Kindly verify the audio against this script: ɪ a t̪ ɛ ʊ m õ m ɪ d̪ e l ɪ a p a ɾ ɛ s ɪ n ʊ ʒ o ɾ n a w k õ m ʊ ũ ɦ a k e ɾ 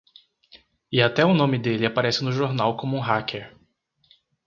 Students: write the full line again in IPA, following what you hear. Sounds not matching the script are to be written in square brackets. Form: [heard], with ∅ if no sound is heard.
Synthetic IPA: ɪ a t̪ ɛ ʊ [n] õ m ɪ d̪ e l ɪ a p a ɾ ɛ s ɪ n ʊ ʒ o ɾ n a w k õ m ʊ ũ ɦ a k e ɾ